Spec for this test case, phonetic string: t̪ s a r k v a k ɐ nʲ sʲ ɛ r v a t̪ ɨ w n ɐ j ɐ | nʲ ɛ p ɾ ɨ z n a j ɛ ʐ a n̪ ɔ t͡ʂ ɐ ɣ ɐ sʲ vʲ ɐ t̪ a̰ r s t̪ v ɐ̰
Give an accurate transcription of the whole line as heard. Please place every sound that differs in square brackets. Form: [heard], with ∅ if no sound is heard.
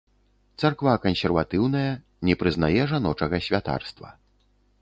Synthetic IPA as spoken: t̪ s a r k v a k ɐ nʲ sʲ ɛ r v a t̪ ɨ w n ɐ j ɐ | nʲ ɛ p ɾ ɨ z n a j ɛ ʐ a n̪ ɔ t͡ʂ ɐ ɣ ɐ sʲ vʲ [a] t̪ a̰ r s t̪ v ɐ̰